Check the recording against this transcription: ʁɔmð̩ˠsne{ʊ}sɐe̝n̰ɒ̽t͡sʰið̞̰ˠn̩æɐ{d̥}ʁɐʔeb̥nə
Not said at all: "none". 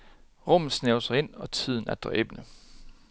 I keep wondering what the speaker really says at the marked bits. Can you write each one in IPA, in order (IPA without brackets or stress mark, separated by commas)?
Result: ʊ, d̥